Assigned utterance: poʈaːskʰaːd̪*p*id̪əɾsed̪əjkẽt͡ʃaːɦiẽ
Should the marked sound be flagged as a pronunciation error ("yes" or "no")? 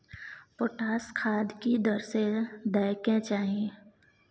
yes